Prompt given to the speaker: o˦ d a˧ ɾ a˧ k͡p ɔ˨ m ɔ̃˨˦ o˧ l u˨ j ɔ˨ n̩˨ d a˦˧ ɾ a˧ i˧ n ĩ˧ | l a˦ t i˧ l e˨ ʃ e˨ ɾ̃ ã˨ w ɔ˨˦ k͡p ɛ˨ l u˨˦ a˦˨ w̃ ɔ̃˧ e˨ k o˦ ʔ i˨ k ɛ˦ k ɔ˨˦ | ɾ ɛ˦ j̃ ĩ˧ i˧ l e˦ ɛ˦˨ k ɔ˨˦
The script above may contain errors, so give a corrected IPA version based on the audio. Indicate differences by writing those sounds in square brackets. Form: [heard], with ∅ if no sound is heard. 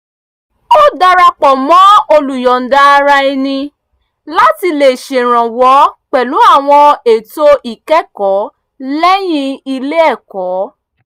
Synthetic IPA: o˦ d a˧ ɾ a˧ k͡p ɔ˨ m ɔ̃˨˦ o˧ l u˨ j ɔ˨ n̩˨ d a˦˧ ɾ a˧ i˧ n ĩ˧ | l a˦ t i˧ l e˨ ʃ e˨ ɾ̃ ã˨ w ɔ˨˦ k͡p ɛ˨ l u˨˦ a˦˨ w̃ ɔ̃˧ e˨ [t] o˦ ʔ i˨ k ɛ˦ k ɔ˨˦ | [l] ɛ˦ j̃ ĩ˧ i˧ l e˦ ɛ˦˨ k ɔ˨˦